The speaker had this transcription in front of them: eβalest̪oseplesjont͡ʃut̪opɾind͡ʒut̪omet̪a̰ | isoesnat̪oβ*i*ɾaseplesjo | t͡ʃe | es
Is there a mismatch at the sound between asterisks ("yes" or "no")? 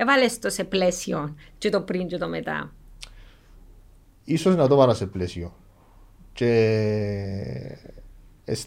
yes